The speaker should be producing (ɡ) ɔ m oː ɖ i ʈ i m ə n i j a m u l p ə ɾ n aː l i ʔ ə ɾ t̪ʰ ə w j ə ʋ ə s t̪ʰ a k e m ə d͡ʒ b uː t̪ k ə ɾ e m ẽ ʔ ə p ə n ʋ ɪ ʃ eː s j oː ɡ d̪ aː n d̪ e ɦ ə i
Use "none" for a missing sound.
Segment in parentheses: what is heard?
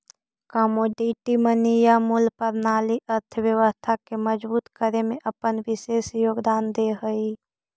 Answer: k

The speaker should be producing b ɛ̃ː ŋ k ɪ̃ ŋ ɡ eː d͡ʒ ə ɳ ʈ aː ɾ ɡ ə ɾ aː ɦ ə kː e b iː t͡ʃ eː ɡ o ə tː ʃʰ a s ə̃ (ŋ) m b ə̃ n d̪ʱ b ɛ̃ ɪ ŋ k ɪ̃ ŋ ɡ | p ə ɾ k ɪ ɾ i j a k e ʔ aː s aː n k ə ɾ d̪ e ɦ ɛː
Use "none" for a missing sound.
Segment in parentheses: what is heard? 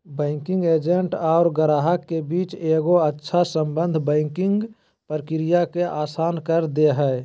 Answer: none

